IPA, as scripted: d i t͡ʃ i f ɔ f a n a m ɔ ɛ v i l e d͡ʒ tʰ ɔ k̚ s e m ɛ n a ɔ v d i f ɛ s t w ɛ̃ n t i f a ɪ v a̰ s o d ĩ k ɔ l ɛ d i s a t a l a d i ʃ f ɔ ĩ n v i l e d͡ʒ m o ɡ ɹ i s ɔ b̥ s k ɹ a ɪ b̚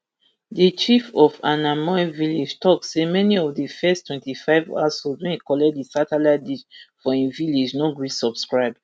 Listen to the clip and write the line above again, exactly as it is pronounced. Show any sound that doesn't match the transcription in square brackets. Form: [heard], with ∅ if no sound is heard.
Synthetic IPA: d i t͡ʃ i f ɔ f a n a m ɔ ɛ v i l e d͡ʒ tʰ ɔ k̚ s e m ɛ n [i] ɔ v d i f ɛ s t w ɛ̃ n t i f a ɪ v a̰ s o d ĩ k ɔ l ɛ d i s a t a l a d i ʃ f ɔ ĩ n v i l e d͡ʒ [n] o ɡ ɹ i s ɔ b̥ s k ɹ a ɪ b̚